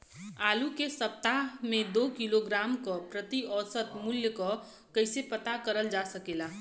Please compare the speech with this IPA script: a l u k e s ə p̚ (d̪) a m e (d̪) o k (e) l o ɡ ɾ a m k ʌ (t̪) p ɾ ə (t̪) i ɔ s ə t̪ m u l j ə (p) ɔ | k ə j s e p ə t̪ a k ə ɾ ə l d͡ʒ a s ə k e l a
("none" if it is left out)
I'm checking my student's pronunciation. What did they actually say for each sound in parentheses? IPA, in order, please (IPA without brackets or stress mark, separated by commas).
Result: t̪, d̪, i, none, t̪, k